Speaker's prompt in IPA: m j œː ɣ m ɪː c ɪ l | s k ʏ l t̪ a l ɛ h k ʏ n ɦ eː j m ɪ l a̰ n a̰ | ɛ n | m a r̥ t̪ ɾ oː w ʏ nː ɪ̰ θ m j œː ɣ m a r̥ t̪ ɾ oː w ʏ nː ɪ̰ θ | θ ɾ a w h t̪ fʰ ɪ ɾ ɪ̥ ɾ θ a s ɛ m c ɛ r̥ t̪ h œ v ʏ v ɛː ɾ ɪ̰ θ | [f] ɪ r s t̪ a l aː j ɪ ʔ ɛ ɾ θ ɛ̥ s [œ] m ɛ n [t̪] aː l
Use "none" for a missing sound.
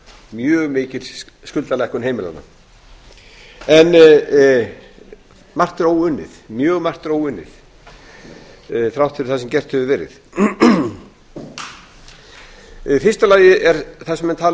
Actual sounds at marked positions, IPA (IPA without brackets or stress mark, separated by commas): f, ɛ, t̪ʰ